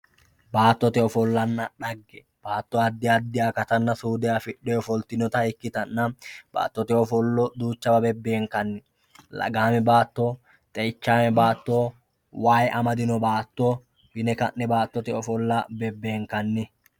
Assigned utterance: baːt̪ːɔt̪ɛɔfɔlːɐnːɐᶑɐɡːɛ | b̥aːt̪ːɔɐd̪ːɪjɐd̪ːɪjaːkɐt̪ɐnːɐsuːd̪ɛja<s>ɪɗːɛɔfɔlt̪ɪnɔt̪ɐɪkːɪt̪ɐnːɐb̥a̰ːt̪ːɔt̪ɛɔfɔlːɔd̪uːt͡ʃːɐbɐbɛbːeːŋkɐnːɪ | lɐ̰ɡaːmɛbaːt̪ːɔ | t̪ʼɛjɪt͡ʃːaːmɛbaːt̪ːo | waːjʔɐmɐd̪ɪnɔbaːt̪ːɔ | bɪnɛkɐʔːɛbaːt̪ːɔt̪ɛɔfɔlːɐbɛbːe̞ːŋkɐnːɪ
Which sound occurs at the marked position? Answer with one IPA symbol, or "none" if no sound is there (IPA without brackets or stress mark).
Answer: f